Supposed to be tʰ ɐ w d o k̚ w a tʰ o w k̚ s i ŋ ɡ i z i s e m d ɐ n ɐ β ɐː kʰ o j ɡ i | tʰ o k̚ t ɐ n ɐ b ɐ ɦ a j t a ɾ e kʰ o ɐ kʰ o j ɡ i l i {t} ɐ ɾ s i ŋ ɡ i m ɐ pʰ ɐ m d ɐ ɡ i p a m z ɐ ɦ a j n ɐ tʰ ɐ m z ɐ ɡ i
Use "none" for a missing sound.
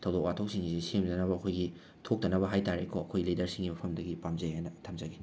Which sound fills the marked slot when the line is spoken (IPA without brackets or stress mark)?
d